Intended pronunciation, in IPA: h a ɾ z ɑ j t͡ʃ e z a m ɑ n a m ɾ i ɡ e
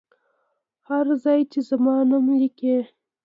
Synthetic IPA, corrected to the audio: h a ɾ z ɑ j t͡ʃ e z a m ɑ n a m l i k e